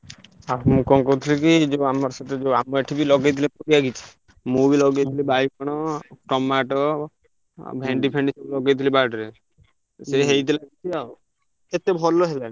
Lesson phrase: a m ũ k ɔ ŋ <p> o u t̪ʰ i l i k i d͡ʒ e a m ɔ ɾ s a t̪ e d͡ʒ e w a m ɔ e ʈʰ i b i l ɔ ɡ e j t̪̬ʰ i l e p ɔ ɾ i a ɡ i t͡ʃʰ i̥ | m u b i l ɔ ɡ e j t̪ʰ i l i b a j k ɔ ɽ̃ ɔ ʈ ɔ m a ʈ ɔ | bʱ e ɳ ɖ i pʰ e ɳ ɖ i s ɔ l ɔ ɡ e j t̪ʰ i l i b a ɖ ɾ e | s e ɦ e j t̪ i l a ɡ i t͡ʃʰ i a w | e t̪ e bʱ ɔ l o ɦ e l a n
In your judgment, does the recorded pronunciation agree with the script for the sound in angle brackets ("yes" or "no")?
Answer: no